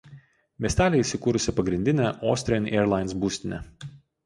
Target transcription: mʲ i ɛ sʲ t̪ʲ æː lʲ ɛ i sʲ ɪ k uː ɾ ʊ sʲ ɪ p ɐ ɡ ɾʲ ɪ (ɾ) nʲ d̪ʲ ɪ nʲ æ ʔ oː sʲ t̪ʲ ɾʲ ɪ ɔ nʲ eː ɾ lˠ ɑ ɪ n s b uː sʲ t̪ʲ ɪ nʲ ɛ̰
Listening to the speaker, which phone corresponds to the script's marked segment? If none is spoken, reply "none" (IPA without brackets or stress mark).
none